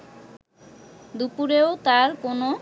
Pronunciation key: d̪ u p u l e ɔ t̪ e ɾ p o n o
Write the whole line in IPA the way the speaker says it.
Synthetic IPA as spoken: d̪ u p u ɾ e o t̪ a ɾ k o n o